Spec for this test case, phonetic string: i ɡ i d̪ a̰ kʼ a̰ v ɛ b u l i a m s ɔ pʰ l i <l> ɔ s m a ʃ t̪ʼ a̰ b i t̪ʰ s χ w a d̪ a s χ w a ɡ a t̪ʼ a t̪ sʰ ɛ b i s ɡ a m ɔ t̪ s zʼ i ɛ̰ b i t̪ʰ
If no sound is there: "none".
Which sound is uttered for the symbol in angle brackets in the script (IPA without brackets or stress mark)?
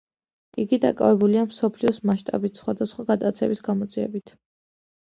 none